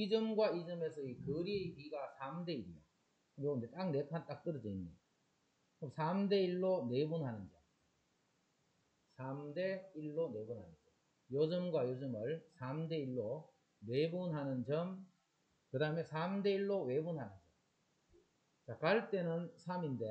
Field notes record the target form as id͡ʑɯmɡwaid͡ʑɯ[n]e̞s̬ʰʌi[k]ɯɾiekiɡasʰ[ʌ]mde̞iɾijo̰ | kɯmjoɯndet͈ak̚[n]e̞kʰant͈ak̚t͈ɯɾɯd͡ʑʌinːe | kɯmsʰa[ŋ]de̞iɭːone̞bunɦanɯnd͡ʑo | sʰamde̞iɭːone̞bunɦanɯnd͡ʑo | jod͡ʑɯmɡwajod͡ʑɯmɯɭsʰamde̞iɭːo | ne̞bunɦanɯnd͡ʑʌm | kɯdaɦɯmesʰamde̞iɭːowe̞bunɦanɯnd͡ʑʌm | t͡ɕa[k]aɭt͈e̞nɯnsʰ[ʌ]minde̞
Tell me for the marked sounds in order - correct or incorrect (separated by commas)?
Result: incorrect, correct, incorrect, correct, incorrect, correct, incorrect